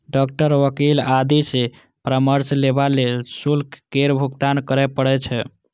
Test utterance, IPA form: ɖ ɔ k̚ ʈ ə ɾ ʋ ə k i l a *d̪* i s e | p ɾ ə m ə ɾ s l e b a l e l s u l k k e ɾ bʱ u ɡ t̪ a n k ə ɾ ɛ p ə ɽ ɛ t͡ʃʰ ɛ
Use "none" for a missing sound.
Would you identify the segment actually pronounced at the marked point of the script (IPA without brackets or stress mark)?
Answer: d̪